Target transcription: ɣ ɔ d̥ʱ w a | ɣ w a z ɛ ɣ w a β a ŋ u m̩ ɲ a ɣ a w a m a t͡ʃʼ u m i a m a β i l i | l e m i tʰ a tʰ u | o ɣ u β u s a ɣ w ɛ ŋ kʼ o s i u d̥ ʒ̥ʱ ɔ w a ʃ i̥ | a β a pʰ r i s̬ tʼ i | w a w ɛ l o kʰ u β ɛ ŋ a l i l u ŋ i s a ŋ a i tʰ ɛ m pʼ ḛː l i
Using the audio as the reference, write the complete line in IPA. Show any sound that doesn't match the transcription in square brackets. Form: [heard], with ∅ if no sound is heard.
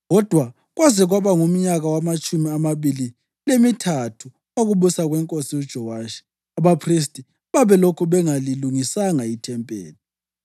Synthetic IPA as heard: ɣ ɔ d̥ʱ w a | ɣ w a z ɛ ɣ w a β a ŋ u m̩ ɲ a ɣ a w a m a t͡ʃʼ u m i a m a β i l i | l e m i tʰ a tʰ u | o ɣ u β u s a ɣ w ɛ ŋ kʼ o s i u d̥ ʒ̥ʱ ɔ w a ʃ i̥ | a β a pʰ r i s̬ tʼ i | [β] a [β] ɛ l o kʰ u β ɛ ŋ a l i l u ŋ i s a ŋ a i tʰ ɛ m pʼ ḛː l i